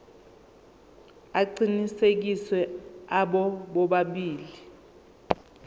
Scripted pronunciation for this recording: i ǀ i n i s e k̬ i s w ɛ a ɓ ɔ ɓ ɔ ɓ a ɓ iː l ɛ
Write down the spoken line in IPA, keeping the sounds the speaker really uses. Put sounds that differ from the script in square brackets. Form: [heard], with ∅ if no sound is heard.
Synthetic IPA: [a] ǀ i n i s e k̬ i s w ɛ a ɓ ɔ ɓ ɔ ɓ a ɓ iː l [i]